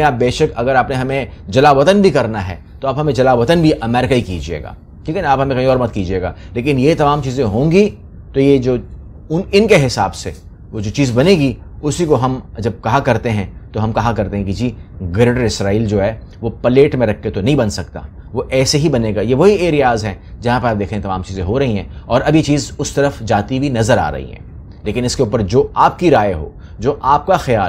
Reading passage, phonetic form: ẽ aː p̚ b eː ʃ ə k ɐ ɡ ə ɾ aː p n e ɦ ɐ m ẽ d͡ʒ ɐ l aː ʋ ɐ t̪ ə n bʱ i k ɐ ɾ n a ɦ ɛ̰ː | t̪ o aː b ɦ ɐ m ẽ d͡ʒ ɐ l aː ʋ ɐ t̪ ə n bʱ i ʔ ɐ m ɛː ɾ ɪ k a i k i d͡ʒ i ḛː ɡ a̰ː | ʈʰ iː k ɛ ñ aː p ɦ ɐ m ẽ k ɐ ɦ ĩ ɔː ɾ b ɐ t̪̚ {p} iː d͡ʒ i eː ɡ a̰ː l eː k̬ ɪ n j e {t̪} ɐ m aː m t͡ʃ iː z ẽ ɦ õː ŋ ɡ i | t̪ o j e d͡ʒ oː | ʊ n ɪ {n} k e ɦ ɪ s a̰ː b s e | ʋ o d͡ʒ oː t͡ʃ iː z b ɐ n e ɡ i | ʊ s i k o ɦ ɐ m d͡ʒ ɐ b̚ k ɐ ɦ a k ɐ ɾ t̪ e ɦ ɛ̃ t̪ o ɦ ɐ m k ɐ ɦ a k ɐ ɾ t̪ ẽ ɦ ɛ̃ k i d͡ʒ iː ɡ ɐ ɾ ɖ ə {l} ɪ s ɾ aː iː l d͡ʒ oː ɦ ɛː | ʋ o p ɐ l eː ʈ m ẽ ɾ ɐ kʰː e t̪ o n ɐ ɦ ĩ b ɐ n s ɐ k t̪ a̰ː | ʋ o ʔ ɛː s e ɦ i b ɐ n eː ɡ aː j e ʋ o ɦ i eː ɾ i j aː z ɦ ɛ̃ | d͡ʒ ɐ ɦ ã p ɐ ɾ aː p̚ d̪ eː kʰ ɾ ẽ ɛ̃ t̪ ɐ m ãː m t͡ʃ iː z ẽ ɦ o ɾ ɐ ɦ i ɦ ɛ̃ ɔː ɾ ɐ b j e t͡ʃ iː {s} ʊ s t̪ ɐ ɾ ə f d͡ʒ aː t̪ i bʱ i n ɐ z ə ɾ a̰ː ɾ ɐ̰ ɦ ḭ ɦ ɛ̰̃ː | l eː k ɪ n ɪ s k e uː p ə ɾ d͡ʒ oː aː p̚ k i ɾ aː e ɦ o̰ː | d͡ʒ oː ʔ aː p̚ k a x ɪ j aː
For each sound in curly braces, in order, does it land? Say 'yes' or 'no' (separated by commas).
no, yes, yes, no, no